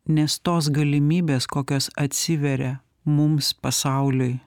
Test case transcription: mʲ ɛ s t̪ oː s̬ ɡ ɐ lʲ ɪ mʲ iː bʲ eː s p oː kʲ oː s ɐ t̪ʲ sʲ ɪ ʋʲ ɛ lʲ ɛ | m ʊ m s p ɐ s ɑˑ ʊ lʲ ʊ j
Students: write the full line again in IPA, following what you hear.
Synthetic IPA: nʲ ɛ s t̪ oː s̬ ɡ ɐ lʲ ɪ mʲ iː bʲ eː s k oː kʲ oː s ɐ t̪ʲ sʲ ɪ ʋʲ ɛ ɾʲ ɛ | m ʊ m s p ɐ s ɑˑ ʊ lʲ ʊ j